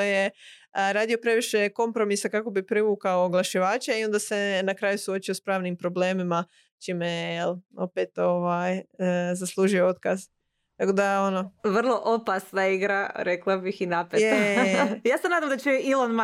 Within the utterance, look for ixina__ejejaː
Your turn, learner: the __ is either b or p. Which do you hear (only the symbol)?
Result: p